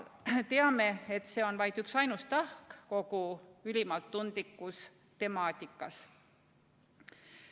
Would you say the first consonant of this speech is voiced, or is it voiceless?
voiceless